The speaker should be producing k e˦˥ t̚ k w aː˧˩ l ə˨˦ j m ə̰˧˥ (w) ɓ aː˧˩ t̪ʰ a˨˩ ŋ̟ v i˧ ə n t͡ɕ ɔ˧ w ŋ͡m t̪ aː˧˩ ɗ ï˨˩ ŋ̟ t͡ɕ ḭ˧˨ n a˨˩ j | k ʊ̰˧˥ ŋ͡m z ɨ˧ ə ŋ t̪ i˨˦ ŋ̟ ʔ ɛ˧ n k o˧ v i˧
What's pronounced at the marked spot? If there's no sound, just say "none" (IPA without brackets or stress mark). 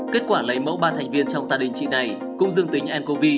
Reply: w